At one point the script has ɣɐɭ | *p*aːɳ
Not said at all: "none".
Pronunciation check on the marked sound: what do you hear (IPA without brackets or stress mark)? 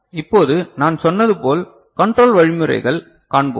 k